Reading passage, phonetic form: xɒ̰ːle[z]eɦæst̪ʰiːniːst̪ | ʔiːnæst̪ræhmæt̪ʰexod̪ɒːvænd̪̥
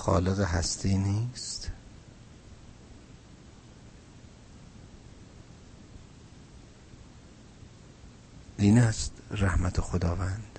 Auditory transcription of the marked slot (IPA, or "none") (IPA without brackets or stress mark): ɣ